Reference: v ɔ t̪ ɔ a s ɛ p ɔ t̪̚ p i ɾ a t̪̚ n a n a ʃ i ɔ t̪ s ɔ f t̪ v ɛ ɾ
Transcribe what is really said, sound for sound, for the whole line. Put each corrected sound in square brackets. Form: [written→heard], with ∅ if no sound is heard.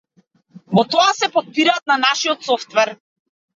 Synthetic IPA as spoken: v ɔ t̪ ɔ a s ɛ p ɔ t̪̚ p i ɾ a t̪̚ n a n a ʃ i ɔ t̪ s ɔ f t̪ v ɛ ɾ